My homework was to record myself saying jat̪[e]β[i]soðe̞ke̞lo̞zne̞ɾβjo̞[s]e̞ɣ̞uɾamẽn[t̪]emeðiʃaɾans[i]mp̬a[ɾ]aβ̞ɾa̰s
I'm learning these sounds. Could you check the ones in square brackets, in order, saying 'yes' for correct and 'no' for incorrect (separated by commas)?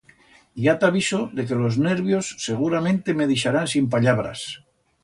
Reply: no, yes, no, yes, yes, no